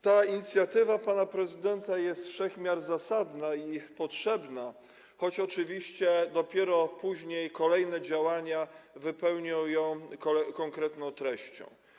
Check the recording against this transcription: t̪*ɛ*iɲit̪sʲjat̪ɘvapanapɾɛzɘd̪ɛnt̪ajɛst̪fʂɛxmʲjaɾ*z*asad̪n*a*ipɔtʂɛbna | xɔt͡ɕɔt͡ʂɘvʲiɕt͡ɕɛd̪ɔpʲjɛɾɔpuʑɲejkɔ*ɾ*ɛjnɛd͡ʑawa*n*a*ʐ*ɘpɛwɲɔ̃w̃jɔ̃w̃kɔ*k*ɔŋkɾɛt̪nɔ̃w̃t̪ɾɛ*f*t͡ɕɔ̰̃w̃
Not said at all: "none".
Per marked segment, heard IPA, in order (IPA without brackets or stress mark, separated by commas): a, z, a, l, ɲ, v, k, ɕ